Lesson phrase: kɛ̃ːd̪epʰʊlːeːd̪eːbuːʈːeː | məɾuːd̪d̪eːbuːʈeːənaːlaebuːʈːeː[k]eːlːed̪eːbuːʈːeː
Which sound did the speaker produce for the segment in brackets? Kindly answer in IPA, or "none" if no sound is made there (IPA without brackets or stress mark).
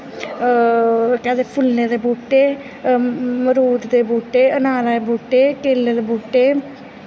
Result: k